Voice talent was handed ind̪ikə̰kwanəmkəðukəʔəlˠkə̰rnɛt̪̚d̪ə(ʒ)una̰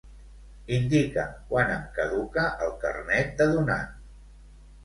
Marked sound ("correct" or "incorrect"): incorrect